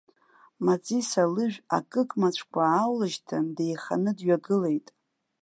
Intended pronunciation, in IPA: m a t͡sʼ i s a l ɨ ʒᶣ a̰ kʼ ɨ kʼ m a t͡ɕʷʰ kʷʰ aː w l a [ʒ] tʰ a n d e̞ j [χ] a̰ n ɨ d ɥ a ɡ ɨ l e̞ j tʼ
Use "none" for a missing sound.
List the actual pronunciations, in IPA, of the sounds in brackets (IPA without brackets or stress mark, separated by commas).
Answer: ʒ, χ